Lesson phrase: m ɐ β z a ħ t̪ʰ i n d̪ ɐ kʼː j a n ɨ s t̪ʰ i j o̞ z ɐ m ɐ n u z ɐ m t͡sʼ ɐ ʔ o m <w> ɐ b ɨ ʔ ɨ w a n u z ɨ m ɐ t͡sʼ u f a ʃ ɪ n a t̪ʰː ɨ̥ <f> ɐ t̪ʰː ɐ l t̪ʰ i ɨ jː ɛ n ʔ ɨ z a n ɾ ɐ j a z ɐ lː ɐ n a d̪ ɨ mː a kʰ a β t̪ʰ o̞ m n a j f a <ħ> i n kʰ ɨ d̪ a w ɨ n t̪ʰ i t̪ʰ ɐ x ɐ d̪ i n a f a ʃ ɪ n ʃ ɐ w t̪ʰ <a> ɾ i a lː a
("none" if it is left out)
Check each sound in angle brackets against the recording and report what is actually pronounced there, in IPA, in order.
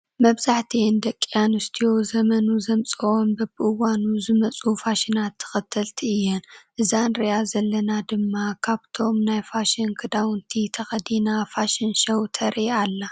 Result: b, x, ʃ, ɐ

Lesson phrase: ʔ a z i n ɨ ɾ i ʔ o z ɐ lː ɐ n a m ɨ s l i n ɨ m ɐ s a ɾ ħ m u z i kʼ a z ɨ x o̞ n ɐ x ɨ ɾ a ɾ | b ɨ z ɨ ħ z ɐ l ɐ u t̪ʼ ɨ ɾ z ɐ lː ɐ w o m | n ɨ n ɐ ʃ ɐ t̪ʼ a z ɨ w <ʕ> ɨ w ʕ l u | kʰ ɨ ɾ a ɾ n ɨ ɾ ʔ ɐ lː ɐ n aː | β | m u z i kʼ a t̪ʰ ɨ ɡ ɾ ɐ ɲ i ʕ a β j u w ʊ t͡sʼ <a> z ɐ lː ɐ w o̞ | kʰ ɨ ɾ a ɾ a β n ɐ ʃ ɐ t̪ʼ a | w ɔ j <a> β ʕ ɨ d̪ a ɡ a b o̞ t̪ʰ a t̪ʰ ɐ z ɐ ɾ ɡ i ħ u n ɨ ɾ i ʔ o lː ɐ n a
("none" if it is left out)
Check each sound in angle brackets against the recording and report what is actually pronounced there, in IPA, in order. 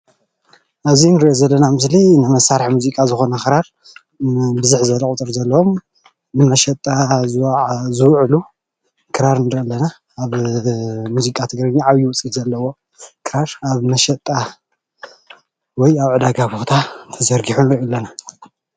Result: z, i, a

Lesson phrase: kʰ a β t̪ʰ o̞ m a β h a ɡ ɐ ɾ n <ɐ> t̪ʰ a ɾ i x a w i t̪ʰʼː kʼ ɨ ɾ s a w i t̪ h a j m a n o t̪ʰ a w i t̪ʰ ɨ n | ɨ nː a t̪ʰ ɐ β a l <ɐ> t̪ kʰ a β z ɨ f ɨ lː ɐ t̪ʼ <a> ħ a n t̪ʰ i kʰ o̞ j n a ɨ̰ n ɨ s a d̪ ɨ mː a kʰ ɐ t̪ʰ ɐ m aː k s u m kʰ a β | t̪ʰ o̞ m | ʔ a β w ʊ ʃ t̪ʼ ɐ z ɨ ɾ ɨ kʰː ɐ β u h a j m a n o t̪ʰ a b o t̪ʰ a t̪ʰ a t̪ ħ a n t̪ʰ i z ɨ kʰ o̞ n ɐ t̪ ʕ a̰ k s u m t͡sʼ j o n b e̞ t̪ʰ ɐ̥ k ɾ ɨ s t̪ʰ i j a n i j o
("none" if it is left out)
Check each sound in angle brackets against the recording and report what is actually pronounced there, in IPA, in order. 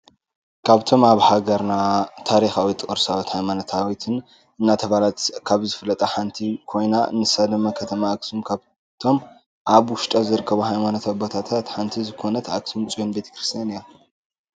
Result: a, a, ɐ

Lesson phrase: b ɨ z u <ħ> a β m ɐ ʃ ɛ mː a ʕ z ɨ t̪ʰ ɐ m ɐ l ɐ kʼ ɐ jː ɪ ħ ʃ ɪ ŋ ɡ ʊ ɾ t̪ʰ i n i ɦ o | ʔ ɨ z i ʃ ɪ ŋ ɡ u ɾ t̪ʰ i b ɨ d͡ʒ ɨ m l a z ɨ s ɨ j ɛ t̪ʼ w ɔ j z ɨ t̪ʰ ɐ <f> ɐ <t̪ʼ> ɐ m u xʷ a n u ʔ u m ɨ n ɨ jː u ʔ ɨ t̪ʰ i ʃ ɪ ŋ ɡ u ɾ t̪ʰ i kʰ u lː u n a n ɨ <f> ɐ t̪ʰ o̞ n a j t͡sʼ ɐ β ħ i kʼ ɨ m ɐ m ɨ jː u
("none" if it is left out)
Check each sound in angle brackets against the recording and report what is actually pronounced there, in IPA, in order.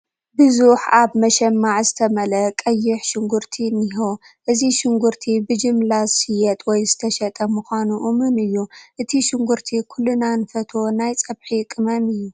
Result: ħ, ʃ, t̪ʼ, f

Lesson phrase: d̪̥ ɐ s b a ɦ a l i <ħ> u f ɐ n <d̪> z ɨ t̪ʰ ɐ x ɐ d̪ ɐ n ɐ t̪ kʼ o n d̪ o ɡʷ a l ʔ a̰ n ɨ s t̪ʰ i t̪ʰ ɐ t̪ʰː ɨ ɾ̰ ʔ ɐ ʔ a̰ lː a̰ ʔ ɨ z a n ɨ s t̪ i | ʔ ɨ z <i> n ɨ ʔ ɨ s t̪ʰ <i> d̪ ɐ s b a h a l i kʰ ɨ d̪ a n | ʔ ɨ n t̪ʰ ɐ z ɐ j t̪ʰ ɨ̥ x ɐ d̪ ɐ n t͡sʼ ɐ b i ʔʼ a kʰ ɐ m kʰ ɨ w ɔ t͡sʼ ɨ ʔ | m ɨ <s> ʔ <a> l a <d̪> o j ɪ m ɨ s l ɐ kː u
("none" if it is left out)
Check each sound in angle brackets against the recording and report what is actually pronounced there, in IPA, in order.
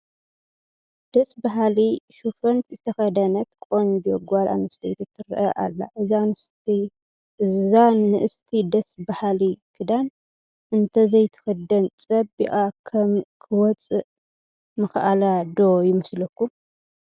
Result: ʃ, t̪, a, i, x, a, d̪

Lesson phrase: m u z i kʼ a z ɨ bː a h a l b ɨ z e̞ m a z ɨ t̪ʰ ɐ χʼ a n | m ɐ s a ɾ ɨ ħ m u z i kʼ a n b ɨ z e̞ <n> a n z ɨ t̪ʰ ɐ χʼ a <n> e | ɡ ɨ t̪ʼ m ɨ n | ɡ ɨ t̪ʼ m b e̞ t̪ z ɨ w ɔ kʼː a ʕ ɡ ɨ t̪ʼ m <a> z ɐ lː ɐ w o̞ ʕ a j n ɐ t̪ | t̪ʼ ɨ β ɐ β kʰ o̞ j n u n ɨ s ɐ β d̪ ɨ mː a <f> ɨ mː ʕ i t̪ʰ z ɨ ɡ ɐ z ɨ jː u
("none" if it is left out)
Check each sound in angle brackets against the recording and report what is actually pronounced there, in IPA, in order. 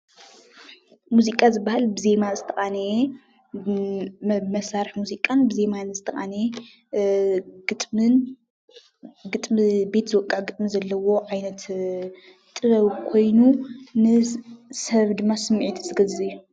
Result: m, n, i, s

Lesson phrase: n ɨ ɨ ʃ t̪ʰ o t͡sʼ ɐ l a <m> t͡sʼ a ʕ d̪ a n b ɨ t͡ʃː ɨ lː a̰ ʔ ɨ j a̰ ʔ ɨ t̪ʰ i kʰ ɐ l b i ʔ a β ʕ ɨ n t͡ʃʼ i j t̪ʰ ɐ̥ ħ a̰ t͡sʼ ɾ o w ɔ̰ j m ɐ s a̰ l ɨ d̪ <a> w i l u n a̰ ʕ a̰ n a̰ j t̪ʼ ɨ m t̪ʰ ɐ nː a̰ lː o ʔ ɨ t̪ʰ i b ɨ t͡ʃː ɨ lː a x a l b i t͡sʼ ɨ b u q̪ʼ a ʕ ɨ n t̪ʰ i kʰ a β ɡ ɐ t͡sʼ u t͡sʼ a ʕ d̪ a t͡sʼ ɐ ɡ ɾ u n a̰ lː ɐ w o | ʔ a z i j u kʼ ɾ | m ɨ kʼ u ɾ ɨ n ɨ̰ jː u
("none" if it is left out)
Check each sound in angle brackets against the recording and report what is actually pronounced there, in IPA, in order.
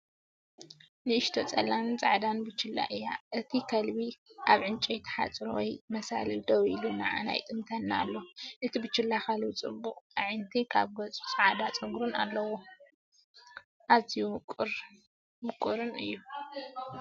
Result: n, ɐ

